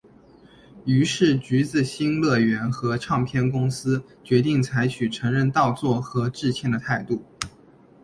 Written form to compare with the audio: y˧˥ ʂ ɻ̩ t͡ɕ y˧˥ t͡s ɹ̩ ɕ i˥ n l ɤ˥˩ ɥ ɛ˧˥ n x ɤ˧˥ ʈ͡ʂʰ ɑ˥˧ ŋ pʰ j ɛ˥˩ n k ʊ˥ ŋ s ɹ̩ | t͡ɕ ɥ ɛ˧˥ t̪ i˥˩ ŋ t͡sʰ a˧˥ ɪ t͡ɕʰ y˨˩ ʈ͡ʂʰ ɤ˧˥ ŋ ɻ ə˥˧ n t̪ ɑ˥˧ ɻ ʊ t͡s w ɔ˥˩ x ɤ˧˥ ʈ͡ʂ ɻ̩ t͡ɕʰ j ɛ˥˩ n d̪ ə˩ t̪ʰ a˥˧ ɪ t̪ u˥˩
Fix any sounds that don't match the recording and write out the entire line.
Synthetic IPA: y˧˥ ʂ ɻ̩ t͡ɕ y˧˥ t͡s ɹ̩ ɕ i˥ n l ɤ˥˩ ɥ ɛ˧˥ n x ɤ˧˥ ʈ͡ʂʰ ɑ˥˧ ŋ pʰ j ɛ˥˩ n k ʊ˥ ŋ s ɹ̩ | t͡ɕ ɥ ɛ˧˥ t̪ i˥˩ ŋ t͡sʰ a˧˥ ɪ t͡ɕʰ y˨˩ ʈ͡ʂʰ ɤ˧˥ ŋ ɻ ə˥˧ n t̪ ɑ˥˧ ʊ t͡s w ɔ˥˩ x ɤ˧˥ ʈ͡ʂ ɻ̩ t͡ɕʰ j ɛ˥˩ n d̪ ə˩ t̪ʰ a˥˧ ɪ t̪ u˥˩